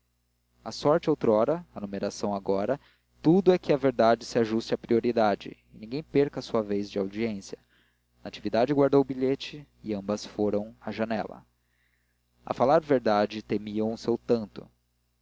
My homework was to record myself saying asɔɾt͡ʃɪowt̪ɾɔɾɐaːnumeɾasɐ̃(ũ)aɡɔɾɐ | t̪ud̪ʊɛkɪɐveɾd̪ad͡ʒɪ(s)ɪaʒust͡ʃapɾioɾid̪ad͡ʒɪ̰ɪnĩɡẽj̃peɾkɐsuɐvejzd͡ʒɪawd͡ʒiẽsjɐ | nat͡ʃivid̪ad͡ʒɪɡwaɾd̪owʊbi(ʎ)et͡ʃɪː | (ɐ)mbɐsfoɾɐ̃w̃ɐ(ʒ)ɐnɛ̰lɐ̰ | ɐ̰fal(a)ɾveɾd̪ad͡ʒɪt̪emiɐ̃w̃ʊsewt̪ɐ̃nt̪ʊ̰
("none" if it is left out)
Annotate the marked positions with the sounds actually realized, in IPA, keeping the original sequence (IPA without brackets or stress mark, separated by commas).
w̃, s, ʎ, ɐ̃, ʒ, a